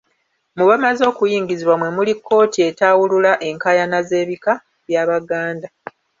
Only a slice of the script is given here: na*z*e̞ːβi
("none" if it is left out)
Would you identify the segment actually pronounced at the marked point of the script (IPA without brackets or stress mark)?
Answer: z